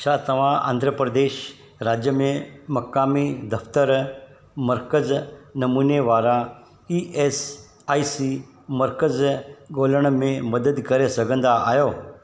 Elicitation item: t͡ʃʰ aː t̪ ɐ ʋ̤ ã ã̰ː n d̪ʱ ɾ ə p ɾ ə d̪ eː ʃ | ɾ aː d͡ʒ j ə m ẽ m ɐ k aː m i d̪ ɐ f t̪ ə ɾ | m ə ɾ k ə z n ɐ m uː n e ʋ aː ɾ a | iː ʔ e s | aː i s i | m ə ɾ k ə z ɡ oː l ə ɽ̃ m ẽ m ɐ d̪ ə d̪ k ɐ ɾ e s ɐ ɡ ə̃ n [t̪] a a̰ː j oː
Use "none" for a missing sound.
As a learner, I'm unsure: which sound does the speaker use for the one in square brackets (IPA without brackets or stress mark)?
d̪